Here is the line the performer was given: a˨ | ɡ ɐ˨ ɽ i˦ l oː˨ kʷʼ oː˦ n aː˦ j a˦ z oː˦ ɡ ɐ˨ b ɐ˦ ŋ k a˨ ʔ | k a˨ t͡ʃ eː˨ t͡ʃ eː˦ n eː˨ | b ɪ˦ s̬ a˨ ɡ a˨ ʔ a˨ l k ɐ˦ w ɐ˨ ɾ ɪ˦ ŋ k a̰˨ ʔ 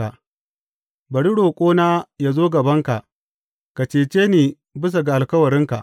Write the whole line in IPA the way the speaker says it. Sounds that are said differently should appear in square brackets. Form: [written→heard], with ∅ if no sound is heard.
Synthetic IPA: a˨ | [ɡ→b] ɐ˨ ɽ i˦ [l→ɽ] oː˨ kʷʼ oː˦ n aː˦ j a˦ z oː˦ ɡ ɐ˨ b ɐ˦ ŋ k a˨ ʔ | k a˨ t͡ʃ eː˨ t͡ʃ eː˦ n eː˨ | b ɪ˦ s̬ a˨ ɡ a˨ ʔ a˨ l k ɐ˦ w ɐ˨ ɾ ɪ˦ ŋ k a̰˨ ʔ